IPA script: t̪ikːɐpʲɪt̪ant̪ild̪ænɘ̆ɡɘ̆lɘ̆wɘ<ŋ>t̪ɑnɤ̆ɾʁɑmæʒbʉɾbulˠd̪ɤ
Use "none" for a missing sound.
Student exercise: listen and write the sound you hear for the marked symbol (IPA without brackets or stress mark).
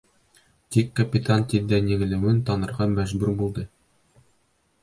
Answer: n